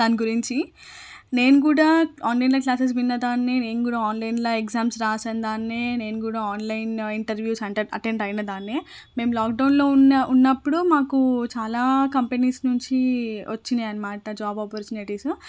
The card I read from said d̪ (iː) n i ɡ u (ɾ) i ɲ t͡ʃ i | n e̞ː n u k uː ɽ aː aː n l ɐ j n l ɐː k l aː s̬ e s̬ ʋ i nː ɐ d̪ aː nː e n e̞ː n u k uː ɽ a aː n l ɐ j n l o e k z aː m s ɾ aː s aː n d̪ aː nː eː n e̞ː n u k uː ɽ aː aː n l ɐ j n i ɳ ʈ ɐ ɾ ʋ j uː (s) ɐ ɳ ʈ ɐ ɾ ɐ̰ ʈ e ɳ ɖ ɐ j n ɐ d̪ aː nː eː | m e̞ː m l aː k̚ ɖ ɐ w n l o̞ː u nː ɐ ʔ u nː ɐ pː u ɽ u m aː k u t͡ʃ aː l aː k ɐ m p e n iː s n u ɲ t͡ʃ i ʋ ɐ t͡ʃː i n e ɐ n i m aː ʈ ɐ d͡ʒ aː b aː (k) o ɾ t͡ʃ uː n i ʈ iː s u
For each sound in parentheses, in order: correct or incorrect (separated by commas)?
incorrect, correct, correct, incorrect